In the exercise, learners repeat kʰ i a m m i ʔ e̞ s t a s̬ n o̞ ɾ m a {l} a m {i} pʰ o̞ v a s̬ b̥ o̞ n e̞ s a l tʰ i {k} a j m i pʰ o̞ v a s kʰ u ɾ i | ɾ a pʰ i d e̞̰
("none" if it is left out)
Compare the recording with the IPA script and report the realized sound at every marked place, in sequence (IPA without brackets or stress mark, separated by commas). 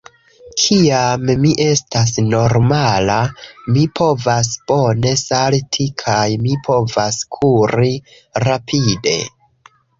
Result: l, i, kʰ